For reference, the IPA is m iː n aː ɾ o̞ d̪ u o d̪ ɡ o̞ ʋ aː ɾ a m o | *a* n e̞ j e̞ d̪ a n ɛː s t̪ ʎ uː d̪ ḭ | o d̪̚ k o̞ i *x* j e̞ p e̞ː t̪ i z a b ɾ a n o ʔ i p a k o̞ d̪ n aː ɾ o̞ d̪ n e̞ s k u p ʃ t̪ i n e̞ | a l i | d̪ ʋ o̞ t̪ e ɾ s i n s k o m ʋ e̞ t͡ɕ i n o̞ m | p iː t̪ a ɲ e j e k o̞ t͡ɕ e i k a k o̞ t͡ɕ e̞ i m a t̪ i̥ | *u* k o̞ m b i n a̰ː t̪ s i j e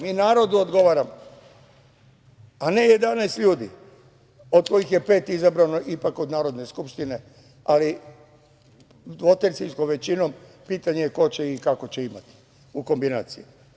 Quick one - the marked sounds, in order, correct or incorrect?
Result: correct, correct, correct

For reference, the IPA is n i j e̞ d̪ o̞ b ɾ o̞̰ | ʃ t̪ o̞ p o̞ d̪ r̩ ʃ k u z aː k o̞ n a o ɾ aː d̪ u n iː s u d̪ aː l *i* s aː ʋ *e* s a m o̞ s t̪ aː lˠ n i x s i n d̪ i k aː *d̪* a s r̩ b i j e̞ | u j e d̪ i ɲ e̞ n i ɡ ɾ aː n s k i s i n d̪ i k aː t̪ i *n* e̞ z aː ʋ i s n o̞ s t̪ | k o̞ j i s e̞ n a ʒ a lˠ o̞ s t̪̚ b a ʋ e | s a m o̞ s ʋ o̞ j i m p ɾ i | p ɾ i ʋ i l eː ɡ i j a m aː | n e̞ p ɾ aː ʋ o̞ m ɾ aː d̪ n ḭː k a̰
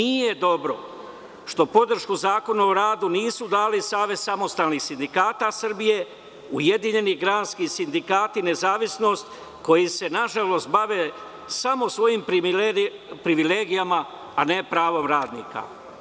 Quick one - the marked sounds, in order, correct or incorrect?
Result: correct, correct, incorrect: t̪, correct

